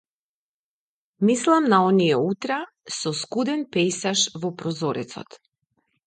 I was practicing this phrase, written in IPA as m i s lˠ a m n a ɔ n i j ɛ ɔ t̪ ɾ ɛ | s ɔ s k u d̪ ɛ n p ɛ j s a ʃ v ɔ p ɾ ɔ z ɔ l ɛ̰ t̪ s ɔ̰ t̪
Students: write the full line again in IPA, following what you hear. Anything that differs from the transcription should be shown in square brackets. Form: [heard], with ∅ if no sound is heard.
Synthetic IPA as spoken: m i s lˠ a m n a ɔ n i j ɛ [u] t̪ ɾ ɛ | s ɔ s k u d̪ ɛ n p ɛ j s a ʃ v ɔ p ɾ ɔ z ɔ [ɾ] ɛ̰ t̪ s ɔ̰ t̪